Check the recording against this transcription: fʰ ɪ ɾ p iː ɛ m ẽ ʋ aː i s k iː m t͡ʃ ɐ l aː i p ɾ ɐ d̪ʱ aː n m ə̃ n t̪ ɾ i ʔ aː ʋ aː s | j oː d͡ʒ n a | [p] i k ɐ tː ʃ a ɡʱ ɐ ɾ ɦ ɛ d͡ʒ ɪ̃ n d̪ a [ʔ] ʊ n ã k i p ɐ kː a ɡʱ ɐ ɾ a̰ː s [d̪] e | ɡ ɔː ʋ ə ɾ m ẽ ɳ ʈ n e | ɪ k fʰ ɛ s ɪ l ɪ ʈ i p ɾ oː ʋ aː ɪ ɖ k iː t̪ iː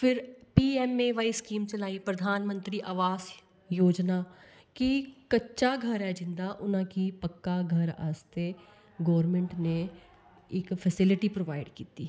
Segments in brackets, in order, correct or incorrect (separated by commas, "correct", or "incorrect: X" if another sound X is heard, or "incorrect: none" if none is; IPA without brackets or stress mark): incorrect: k, correct, incorrect: t̪